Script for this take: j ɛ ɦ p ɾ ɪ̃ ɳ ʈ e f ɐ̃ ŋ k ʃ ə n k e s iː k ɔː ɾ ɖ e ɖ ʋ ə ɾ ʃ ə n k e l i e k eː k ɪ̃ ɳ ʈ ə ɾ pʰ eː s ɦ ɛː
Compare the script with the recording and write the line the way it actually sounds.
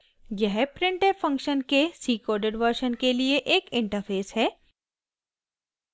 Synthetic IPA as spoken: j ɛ ɦ p ɾ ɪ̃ ɳ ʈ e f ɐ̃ ŋ k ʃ ə n k e s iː k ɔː ɾ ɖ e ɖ ʋ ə ɾ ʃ ə n k e l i e ʔ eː k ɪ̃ ɳ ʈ ə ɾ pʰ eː s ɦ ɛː